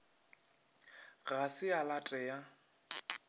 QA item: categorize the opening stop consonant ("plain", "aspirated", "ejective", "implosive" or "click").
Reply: ejective